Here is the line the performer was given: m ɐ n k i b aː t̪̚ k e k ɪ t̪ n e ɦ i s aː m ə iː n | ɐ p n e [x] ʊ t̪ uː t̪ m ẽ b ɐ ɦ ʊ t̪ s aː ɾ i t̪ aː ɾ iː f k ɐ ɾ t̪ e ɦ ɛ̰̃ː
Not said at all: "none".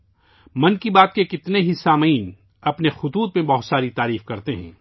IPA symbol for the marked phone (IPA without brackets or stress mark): x